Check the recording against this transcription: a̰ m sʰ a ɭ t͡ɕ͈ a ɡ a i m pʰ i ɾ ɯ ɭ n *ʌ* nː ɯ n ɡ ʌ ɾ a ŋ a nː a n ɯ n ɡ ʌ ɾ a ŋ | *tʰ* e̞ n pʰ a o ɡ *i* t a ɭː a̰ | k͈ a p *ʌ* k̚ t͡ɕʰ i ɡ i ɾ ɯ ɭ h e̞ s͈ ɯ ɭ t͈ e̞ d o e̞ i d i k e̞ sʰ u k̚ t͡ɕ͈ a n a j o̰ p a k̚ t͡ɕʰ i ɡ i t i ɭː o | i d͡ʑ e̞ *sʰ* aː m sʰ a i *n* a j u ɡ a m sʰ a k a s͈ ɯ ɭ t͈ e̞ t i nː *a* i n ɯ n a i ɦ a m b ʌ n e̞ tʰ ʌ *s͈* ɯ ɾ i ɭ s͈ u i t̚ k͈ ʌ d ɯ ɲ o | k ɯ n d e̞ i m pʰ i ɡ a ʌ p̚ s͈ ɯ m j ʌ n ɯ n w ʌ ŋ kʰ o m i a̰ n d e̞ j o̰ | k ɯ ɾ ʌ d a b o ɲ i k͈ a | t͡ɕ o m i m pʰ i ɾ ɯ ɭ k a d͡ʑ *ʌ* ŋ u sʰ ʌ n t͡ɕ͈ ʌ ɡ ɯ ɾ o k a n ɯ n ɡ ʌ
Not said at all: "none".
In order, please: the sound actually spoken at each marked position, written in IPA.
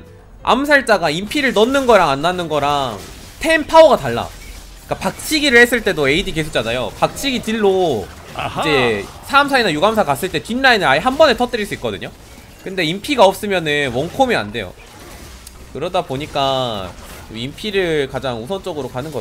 ʌ, tʰ, a, a, sʰ, n, a, t͈, a

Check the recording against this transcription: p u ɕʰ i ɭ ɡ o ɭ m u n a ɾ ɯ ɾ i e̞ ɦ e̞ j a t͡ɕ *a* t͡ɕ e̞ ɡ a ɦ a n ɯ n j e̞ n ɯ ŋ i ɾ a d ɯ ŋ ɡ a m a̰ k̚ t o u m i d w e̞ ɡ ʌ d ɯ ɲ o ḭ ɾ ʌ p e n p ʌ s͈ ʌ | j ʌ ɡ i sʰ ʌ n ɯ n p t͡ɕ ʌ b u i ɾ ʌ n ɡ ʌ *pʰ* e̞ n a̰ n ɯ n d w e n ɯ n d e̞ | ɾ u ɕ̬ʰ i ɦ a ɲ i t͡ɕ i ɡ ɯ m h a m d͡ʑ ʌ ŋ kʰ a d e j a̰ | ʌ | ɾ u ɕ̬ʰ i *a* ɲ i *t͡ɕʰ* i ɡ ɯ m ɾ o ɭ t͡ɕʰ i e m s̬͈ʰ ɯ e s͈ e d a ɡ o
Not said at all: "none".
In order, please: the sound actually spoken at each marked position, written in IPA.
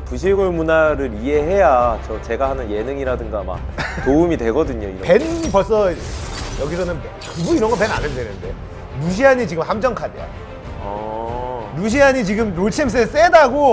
ʌ, p, a, t͡ɕ

